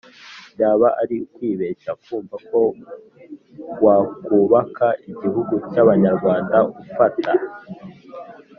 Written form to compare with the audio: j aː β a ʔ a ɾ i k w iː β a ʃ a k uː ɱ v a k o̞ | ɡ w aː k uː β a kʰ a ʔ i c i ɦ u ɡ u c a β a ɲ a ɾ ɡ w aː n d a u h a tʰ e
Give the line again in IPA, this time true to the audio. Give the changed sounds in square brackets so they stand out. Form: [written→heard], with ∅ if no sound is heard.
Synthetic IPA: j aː β a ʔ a ɾ i k w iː β [a→e] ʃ a k uː ɱ v a k o̞ | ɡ w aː k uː β a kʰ a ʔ i [c→ɟ] i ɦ u ɡ u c a β a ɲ a ɾ ɡ w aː n d a u [h→f] a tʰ [e→a]